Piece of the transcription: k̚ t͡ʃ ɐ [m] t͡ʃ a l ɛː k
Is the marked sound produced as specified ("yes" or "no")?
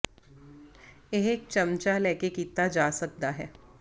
yes